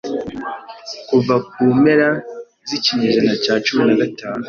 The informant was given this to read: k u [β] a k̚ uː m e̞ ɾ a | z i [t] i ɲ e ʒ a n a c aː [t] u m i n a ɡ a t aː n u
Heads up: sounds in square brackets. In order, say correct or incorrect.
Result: incorrect: v, incorrect: c, incorrect: t͡ʃ

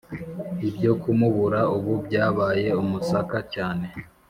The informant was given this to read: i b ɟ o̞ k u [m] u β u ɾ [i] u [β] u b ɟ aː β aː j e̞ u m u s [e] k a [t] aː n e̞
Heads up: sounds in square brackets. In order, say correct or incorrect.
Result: correct, incorrect: a, correct, incorrect: a, incorrect: c

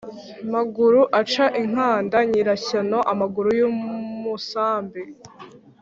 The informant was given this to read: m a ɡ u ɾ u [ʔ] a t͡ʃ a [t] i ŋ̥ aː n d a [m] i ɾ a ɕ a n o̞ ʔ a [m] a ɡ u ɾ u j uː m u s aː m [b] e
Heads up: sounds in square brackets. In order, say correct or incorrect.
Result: correct, incorrect: ʔ, incorrect: ɲ, correct, correct

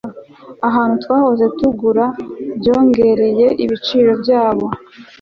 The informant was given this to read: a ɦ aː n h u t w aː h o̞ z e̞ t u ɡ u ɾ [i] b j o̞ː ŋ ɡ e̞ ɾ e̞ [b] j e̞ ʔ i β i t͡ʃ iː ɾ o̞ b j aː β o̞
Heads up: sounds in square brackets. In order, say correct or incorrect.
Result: incorrect: a, incorrect: none

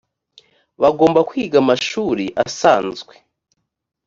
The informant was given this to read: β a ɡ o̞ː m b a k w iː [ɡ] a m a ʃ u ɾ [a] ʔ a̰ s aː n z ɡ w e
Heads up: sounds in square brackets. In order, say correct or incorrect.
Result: correct, incorrect: i

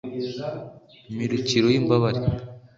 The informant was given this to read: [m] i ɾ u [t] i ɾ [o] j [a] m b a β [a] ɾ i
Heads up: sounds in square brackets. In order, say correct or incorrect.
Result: correct, incorrect: c, correct, incorrect: i, correct

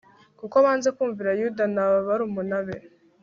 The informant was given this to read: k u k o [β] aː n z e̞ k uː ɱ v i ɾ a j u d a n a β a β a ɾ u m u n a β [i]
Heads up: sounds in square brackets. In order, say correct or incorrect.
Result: correct, incorrect: e

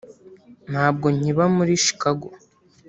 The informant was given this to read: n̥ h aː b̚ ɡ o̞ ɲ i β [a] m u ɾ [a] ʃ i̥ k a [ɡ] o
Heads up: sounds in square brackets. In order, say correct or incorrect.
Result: correct, incorrect: i, correct

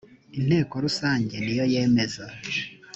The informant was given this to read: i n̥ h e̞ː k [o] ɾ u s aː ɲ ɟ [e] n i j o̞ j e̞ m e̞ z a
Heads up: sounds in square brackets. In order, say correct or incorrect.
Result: correct, correct

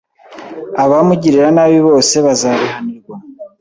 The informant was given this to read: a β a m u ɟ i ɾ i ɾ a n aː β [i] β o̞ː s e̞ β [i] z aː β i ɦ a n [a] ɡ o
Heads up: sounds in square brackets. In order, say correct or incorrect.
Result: correct, incorrect: a, incorrect: i

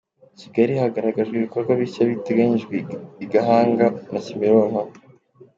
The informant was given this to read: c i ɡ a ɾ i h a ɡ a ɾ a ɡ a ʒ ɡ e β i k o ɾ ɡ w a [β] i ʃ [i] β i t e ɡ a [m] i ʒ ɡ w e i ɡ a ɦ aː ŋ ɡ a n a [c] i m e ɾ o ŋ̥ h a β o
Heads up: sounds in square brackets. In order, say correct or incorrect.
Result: correct, incorrect: a, incorrect: ɲ, correct

